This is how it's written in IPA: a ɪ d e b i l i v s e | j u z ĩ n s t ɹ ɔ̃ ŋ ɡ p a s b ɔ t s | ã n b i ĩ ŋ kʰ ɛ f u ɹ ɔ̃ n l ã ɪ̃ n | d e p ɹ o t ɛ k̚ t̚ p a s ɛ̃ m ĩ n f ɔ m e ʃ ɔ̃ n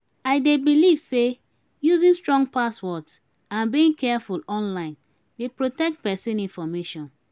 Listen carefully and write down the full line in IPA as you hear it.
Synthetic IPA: a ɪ d e b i l i v s e | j u z ĩ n s t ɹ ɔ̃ ŋ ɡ p a s w ɔ t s | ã n b i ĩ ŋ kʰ ɛ f u l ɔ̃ n l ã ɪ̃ n | d e p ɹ o t ɛ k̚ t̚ p ɛ s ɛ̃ n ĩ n f ɔ m e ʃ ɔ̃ n